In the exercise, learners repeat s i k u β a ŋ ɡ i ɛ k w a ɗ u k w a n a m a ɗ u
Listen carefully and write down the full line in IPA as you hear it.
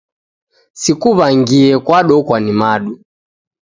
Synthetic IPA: s i k u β a ŋ ɡ i ɛ k w a ɗ ɔ k w a n i m a ɗ u